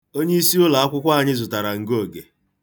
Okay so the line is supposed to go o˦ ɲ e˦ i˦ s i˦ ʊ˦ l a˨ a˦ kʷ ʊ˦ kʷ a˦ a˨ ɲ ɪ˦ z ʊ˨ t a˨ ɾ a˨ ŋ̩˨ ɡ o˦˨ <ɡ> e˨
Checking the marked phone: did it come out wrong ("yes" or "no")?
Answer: no